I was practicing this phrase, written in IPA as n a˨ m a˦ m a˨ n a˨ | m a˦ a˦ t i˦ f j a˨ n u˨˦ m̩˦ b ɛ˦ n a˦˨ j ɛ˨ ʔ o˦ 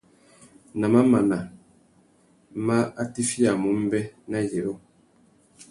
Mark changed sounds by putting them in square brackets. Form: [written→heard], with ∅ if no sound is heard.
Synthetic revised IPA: n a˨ m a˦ m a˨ n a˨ | m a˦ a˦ t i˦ f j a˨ [n→m] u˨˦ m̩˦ b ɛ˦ n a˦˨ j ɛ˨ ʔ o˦